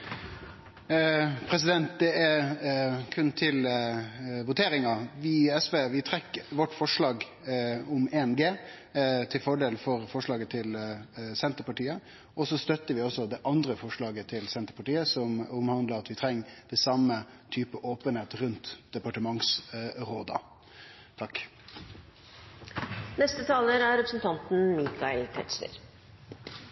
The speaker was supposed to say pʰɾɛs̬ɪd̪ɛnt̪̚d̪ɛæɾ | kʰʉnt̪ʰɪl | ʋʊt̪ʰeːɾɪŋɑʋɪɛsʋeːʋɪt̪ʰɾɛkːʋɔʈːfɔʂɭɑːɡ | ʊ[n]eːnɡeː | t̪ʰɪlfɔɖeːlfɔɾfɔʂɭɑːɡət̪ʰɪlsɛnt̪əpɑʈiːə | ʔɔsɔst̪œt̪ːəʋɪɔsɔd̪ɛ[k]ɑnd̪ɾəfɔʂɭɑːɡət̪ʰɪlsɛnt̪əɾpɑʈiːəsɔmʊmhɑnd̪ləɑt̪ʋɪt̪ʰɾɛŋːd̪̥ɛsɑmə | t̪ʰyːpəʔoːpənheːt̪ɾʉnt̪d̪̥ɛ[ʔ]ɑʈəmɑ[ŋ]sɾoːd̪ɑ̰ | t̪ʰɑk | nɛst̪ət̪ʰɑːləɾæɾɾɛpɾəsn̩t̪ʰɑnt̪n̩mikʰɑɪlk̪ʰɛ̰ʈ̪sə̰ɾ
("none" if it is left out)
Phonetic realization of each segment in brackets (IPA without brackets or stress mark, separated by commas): m, ʔ, p, ŋ